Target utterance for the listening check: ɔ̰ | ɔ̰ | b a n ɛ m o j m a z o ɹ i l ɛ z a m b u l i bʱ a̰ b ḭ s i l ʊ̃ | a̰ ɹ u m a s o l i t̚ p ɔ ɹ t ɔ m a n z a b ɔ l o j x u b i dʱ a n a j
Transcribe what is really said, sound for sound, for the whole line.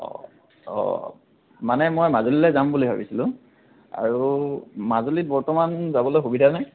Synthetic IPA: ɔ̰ | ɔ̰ | m a n ɛ m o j m a z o l i l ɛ z a m b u l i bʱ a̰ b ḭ s i l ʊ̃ | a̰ ɹ u m a z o l i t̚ b ɔ ɹ t ɔ m a n z a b ɔ l o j x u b i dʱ a n a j